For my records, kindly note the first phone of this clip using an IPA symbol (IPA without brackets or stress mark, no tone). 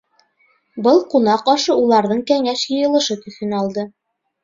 b